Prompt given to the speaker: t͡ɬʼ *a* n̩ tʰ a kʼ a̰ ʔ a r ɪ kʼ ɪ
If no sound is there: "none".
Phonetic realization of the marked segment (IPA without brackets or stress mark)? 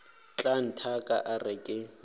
a